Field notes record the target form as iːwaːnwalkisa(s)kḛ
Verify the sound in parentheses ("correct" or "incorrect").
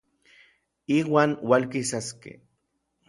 correct